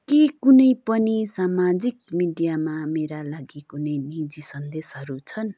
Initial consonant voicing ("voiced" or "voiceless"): voiceless